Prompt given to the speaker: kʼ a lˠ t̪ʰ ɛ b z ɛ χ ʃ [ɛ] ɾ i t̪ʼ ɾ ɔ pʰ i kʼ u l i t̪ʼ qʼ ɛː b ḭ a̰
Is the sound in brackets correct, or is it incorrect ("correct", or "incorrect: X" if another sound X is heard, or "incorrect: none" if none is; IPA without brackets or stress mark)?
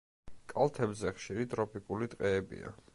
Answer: incorrect: i